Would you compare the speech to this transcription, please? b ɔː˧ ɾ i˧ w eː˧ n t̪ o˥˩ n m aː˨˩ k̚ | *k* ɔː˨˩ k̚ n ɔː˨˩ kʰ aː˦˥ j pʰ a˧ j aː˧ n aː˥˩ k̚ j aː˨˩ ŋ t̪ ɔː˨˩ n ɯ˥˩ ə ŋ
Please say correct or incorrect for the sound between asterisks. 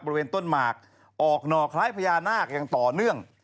incorrect